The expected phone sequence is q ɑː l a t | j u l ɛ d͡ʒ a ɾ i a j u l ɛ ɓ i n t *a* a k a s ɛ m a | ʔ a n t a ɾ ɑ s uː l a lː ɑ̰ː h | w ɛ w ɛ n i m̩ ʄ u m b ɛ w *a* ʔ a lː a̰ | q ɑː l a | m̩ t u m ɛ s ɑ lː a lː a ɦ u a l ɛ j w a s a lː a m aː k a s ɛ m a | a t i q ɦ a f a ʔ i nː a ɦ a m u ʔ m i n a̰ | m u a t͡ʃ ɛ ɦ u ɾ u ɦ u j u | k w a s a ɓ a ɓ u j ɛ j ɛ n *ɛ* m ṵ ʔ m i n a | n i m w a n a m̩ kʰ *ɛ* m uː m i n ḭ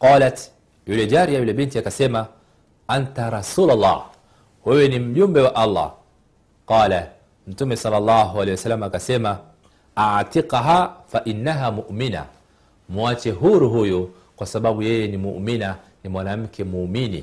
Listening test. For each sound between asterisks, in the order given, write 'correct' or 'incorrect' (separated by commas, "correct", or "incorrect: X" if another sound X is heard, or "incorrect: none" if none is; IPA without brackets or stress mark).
incorrect: i, correct, incorrect: i, correct